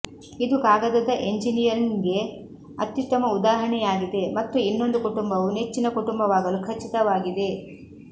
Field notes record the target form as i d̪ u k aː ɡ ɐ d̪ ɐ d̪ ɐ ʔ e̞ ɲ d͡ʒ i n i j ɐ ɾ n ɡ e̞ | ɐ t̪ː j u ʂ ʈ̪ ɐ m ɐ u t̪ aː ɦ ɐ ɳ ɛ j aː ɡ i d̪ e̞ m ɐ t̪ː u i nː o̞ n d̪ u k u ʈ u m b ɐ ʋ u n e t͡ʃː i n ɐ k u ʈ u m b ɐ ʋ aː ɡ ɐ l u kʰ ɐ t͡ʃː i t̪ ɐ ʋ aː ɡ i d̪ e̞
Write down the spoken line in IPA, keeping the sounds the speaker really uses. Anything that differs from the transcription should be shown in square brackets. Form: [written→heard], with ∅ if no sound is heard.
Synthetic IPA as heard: i d̪ u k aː ɡ ɐ d̪ ɐ d̪ ɐ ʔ e̞ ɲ d͡ʒ i n i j ɐ ɾ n ɡ e̞ | ɐ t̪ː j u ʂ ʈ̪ ɐ m ɐ u [t̪→d̪] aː ɦ ɐ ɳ ɛ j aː ɡ i d̪ e̞ m ɐ t̪ː u i nː o̞ n d̪ u k u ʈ u m b ɐ ʋ u n e t͡ʃː i n ɐ k u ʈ u m b ɐ ʋ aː ɡ ɐ l u kʰ ɐ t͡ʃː i t̪ ɐ ʋ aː ɡ i d̪ e̞